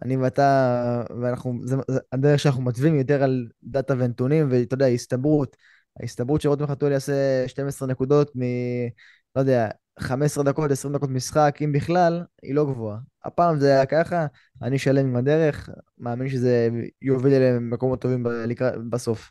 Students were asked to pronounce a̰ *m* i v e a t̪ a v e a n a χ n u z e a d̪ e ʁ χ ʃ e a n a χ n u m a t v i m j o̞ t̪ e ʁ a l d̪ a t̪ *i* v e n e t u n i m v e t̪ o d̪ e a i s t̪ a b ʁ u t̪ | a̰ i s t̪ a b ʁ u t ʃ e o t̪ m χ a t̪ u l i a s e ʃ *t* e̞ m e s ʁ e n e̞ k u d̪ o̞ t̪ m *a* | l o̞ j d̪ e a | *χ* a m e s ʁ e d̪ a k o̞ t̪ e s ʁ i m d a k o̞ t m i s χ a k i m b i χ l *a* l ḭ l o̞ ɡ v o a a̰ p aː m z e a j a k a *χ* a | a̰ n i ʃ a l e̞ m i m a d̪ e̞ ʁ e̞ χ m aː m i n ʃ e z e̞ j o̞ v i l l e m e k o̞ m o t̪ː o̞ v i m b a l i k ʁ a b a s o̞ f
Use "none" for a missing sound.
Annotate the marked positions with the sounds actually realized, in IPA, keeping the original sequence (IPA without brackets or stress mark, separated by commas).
n, a, t, i, χ, a, χ